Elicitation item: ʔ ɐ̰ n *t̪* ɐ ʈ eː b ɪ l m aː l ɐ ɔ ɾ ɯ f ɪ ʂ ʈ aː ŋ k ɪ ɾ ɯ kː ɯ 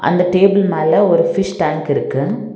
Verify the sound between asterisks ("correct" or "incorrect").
incorrect